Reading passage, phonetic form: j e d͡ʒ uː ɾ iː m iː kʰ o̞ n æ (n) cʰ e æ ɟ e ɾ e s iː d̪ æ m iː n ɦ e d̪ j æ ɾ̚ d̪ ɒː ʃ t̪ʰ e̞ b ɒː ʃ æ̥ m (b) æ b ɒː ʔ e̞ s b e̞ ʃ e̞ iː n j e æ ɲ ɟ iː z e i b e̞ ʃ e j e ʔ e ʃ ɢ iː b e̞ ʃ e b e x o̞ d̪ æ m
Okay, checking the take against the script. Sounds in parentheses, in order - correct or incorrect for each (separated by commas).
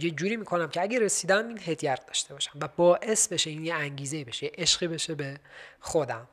incorrect, incorrect